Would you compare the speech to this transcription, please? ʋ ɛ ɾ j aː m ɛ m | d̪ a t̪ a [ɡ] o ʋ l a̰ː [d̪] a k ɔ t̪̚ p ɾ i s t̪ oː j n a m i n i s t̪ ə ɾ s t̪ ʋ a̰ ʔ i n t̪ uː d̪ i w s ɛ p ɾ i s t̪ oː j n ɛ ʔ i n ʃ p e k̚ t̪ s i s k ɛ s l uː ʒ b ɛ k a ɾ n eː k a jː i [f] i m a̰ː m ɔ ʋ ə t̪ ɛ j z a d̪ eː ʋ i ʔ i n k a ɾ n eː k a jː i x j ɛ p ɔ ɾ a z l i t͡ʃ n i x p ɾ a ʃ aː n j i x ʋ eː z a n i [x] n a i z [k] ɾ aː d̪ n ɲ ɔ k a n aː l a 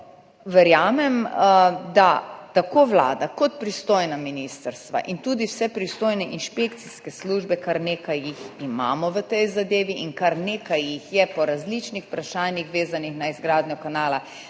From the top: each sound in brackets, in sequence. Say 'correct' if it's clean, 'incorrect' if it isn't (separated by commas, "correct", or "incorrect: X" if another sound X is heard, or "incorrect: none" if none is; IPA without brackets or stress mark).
incorrect: k, correct, incorrect: x, correct, incorrect: ɡ